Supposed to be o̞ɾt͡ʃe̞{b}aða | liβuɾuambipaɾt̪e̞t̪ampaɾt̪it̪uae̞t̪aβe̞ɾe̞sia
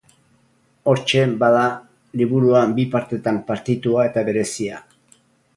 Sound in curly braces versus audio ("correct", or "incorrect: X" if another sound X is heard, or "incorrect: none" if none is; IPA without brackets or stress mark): correct